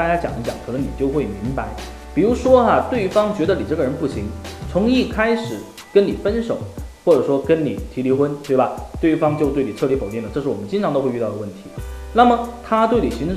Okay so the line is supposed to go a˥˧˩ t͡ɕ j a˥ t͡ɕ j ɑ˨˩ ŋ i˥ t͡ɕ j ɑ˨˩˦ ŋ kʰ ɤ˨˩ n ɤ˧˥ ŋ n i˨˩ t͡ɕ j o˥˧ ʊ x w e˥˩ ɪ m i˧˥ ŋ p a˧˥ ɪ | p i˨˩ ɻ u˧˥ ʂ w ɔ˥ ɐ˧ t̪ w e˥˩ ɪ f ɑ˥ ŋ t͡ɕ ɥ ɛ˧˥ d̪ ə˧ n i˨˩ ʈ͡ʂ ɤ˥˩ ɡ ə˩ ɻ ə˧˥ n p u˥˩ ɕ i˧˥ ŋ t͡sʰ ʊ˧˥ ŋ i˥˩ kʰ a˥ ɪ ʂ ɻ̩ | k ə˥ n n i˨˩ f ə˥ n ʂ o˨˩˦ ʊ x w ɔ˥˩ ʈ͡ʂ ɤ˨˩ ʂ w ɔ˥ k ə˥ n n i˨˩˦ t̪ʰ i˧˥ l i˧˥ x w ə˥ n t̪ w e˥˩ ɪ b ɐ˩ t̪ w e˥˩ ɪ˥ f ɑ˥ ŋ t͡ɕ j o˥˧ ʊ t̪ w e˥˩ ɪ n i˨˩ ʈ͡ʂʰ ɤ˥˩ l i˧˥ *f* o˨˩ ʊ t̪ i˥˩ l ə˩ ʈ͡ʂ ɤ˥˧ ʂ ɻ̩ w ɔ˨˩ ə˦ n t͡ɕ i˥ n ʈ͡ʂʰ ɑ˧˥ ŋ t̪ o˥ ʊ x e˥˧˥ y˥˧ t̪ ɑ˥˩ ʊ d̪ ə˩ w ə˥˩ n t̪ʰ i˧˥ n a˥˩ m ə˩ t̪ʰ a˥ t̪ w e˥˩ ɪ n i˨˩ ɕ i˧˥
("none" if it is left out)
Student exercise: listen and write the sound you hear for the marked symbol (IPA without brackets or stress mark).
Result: f